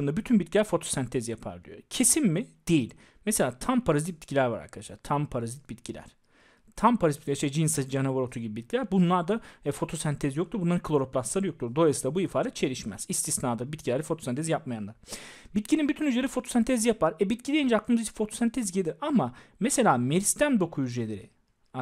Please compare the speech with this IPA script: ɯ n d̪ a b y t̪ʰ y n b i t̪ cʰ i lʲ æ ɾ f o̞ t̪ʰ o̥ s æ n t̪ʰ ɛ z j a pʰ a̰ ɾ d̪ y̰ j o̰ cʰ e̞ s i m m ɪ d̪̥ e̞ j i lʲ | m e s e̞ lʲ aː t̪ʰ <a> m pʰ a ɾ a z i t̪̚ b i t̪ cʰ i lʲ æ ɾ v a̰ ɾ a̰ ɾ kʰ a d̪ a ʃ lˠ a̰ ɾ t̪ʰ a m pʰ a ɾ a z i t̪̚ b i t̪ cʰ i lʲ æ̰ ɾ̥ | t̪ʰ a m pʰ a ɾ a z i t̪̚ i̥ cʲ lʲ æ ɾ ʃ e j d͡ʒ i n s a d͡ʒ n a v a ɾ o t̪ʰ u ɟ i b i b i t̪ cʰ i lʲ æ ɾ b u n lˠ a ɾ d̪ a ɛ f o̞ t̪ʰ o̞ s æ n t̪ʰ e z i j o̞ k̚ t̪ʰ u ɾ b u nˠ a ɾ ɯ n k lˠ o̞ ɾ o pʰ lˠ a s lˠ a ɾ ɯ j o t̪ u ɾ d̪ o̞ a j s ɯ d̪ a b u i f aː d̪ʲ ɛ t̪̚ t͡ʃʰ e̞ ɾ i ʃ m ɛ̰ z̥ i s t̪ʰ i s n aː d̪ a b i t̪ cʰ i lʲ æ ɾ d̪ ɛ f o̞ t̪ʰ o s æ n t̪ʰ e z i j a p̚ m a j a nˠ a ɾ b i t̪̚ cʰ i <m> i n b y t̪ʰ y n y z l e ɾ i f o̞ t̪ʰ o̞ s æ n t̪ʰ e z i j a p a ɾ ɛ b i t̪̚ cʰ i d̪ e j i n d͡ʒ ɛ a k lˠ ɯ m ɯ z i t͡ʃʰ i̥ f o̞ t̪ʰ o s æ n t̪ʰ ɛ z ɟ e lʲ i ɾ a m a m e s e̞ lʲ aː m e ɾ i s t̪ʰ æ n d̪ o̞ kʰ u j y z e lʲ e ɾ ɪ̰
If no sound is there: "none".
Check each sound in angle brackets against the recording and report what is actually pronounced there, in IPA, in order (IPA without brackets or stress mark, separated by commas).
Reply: a, n